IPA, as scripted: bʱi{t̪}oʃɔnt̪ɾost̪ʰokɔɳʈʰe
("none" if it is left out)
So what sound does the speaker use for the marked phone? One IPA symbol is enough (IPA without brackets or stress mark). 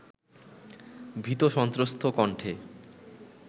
t̪